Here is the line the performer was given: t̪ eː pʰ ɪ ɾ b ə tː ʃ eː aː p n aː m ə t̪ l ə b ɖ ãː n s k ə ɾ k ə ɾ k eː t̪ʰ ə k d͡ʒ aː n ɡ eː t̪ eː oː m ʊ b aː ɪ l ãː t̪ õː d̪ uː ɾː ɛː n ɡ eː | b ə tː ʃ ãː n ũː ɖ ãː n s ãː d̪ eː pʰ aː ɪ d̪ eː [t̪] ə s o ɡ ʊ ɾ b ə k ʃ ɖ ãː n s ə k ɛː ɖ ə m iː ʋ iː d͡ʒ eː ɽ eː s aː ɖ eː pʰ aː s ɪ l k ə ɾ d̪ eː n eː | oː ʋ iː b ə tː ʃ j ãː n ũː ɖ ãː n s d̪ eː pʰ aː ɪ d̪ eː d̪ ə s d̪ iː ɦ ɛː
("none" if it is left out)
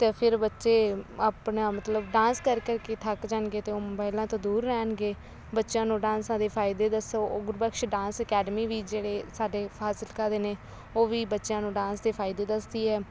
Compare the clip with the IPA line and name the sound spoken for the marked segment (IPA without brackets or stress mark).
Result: d̪